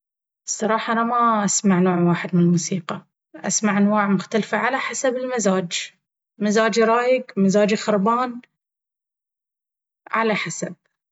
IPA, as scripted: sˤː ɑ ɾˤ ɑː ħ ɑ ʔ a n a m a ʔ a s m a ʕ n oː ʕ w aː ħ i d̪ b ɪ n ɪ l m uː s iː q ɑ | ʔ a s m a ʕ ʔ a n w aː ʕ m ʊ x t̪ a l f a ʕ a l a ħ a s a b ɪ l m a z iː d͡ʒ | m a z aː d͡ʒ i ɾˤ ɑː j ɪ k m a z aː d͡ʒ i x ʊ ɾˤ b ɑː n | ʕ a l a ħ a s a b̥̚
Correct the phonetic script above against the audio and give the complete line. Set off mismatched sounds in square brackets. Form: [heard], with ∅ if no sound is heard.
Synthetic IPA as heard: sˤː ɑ ɾˤ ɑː ħ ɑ ʔ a n a m a ʔ a s m a ʕ n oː ʕ w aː ħ [ɪ] d̪ [m] ɪ n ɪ l m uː s iː q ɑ | ʔ a s m a ʕ ʔ a n w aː ʕ m ʊ x t̪ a l f a ʕ a l a ħ a s a b ɪ l m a z [aː] d͡ʒ | m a z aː d͡ʒ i ɾˤ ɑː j ɪ [ɡ] m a z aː d͡ʒ i x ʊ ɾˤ b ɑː n | ʕ a l a ħ a s a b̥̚